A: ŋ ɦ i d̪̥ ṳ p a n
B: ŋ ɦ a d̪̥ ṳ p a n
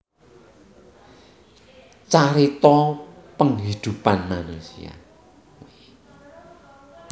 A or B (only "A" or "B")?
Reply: A